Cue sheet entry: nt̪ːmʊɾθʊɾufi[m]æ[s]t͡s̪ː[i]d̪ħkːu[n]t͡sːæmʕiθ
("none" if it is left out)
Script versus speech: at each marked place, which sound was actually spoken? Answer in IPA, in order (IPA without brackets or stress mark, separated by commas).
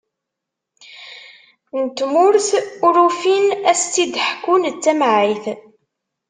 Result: n, s, i, n